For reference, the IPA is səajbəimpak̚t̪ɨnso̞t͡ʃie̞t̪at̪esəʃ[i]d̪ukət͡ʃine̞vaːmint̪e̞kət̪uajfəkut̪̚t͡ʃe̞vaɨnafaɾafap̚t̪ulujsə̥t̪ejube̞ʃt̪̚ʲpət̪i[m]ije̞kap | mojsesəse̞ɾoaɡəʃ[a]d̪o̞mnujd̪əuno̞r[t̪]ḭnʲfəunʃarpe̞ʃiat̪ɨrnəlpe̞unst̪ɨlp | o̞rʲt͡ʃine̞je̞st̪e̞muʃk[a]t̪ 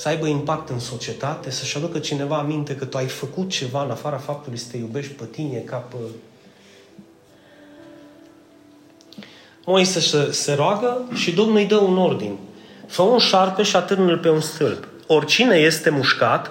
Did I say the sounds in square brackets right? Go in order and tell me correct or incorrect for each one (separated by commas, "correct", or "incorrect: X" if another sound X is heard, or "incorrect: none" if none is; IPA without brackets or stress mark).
incorrect: a, incorrect: n, incorrect: i, incorrect: d̪, correct